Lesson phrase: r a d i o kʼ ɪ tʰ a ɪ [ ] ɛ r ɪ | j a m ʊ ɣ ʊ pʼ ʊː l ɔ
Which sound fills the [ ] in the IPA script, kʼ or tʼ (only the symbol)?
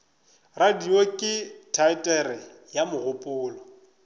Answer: tʼ